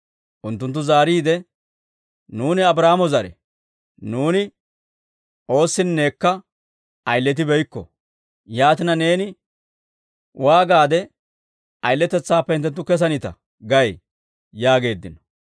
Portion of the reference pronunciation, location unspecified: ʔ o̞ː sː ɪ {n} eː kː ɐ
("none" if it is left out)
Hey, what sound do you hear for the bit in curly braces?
nː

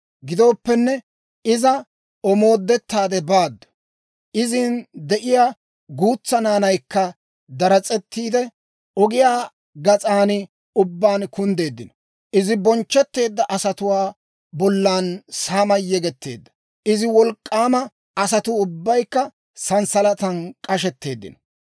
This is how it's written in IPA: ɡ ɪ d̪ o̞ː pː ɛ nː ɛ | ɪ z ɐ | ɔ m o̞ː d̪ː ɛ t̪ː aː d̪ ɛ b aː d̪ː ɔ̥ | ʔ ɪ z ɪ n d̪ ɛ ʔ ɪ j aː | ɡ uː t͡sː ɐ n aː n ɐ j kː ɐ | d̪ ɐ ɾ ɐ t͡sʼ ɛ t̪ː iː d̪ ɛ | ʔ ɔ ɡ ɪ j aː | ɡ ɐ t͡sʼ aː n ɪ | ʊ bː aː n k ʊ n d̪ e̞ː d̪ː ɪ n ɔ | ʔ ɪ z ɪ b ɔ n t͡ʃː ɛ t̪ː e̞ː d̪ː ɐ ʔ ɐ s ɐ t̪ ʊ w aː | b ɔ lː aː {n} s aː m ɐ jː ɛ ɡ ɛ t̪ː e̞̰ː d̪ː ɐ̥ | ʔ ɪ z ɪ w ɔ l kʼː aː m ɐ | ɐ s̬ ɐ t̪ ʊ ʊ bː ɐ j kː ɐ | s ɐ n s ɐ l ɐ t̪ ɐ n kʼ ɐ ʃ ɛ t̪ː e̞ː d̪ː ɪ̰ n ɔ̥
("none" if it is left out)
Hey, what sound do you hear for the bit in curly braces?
n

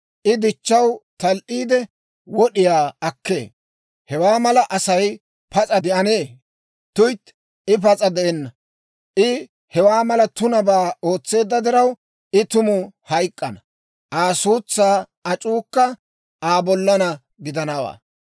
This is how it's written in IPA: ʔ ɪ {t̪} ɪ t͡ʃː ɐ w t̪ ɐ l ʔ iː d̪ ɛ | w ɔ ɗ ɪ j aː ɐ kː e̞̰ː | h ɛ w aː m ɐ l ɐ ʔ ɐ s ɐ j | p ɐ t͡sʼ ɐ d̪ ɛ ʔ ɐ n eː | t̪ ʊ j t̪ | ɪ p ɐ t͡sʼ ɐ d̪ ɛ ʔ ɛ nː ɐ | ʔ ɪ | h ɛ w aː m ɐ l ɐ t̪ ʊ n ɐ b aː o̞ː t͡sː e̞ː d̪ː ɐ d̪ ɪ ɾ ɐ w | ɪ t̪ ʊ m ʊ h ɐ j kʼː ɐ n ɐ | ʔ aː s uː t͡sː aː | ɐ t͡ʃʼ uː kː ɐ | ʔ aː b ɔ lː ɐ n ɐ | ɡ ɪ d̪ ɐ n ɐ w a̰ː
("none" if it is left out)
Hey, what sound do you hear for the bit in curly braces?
d̪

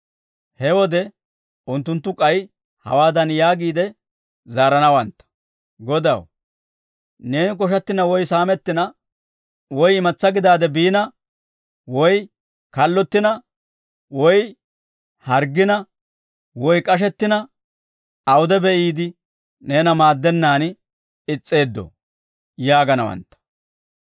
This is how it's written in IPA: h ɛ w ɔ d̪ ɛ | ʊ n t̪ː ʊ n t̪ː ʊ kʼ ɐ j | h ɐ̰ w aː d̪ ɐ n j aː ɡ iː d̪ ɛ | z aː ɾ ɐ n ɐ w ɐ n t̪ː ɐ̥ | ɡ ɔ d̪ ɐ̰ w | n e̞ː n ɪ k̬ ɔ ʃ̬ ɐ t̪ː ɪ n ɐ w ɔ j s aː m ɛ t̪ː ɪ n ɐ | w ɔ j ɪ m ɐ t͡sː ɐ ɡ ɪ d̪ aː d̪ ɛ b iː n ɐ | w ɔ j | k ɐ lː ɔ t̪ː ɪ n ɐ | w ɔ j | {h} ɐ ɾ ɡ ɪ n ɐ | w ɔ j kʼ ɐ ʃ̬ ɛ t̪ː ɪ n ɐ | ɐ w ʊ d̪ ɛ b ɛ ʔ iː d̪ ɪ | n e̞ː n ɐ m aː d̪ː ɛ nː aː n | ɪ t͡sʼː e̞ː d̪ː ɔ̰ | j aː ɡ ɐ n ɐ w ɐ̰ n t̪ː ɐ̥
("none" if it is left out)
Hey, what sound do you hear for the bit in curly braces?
h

